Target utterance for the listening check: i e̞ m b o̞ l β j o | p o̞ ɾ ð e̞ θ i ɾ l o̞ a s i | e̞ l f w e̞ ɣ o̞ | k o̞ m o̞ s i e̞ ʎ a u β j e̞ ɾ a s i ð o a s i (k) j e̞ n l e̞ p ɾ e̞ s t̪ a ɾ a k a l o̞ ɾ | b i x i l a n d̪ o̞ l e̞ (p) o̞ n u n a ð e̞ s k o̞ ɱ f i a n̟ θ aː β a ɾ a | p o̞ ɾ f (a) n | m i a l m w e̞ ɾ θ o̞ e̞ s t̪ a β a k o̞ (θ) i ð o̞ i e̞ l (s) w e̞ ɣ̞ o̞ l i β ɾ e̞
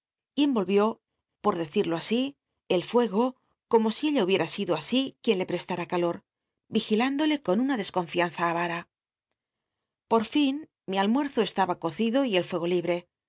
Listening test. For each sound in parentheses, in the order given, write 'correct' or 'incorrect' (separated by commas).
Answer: correct, incorrect, incorrect, correct, incorrect